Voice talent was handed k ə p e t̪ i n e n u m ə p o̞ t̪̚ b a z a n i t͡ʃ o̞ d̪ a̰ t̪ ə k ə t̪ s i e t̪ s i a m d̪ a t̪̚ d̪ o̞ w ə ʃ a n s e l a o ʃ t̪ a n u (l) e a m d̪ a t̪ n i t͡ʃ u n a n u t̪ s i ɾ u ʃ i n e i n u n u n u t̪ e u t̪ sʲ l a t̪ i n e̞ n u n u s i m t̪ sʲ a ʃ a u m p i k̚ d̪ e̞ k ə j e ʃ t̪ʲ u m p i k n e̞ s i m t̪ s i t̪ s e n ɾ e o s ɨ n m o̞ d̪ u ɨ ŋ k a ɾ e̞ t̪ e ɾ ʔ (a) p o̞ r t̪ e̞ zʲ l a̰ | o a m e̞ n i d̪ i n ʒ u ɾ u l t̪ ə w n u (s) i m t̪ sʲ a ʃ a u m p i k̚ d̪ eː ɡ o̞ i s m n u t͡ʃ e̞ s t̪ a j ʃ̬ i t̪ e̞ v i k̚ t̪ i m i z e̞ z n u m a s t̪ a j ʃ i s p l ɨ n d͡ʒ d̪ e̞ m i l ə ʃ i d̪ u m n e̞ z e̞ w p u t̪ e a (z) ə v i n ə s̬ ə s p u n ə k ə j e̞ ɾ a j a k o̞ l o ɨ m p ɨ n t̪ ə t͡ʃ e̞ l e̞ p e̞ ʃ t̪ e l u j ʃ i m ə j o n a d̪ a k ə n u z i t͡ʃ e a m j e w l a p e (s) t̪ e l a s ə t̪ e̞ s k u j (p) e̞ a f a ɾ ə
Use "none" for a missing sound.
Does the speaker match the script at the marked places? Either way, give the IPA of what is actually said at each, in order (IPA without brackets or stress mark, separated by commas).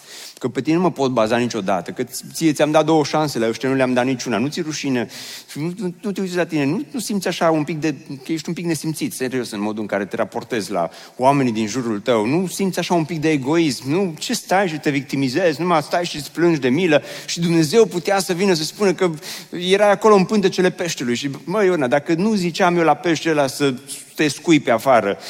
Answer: l, a, s, s, ʃ, p